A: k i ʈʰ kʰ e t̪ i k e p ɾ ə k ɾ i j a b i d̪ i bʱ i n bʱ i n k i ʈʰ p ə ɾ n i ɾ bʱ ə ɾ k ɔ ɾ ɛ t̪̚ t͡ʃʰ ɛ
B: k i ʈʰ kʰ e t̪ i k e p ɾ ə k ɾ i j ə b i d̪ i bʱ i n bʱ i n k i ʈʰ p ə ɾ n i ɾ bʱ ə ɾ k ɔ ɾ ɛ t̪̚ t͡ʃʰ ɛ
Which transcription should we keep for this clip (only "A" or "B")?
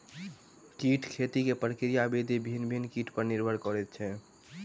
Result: A